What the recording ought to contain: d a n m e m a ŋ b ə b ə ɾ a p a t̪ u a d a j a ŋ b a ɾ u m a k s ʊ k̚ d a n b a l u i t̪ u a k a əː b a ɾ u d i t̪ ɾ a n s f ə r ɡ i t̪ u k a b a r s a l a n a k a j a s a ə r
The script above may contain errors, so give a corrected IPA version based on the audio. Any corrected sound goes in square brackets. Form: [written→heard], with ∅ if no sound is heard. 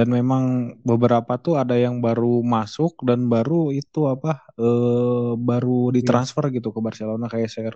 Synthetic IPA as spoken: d a n m e m a ŋ b ə b ə ɾ a p a t̪ u a d a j a ŋ b a ɾ u m a [k→∅] s ʊ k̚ d a n b a [l→ɾ] u i t̪ u a [k→p] a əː b a ɾ u d i t̪ ɾ a n s f ə r ɡ i t̪ u k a b a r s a l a n a k a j a s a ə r